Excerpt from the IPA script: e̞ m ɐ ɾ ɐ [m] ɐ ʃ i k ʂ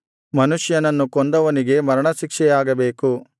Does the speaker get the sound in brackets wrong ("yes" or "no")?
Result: yes